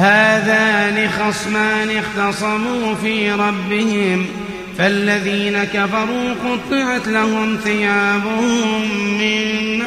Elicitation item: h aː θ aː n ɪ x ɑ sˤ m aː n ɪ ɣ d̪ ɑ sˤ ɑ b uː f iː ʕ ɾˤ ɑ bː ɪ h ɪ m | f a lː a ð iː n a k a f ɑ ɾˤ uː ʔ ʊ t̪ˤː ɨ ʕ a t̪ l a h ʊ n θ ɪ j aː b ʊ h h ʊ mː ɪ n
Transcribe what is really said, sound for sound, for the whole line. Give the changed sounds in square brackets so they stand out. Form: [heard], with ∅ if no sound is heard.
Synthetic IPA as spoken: h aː [ð] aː n ɪ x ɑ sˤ m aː n ɪ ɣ [t̪] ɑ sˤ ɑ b uː f iː [∅] ɾˤ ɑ bː ɪ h ɪ m | f a lː a ð iː n a k a f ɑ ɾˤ uː [q] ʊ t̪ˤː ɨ ʕ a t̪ l a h ʊ [m] θ ɪ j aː b ʊ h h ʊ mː ɪ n